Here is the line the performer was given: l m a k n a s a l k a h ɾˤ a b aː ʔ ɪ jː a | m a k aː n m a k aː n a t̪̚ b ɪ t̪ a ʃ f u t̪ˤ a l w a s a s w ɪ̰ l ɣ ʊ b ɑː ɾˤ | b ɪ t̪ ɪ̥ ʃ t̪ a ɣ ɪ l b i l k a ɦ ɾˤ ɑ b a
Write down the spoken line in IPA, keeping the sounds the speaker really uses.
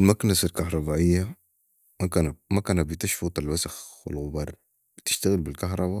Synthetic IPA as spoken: l m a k n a s a l k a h ɾˤ ɑ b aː ʔ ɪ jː a | m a k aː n m a k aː n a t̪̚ b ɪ t̪ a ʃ f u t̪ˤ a l w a s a x w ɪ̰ l ɣ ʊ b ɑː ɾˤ | b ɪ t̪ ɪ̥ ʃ t̪ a ɣ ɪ l b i l k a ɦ ɾˤ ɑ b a